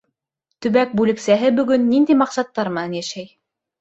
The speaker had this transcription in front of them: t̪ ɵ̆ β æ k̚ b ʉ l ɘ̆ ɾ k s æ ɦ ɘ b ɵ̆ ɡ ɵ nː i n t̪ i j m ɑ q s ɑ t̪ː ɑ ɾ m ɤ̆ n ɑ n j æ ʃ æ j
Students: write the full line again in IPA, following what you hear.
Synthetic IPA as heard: t̪ ɵ̆ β æ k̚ b ʉ l ɘ̆ k s æ ɦ ɘ b ɵ̆ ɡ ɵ nː i n d̪ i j m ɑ q s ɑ t̪ː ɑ ɾ m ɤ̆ n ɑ n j æ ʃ æ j